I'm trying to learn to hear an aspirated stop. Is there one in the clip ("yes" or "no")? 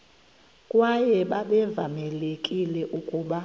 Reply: no